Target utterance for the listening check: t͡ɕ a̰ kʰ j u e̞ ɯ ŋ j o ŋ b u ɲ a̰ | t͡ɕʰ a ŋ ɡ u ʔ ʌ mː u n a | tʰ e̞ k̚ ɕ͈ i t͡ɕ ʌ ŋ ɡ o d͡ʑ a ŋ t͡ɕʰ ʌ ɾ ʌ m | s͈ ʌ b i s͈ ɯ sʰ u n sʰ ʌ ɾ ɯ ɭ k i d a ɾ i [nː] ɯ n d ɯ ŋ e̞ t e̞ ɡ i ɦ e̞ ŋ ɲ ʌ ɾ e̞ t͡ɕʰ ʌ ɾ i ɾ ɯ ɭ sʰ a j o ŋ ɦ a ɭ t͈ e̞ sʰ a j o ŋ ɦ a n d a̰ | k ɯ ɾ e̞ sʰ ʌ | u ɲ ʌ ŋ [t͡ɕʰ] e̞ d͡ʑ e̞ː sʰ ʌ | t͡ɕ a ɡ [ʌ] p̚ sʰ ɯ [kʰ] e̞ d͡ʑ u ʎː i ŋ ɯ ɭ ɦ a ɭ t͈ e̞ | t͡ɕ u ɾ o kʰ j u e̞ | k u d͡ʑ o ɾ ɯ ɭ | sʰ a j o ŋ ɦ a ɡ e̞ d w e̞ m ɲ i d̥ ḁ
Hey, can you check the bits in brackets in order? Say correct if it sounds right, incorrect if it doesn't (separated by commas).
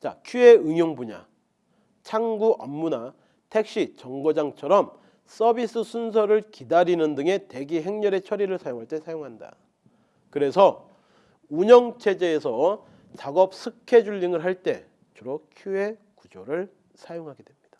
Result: incorrect, correct, correct, correct